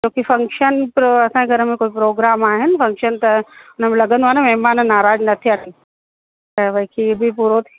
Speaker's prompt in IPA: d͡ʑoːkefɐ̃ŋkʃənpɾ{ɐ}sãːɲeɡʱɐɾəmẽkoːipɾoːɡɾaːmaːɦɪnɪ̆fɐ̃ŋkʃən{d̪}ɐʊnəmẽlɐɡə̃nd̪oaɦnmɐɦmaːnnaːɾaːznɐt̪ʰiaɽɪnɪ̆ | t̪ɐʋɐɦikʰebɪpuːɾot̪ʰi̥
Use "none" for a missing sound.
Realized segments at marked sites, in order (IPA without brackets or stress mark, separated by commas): ɐ, t̪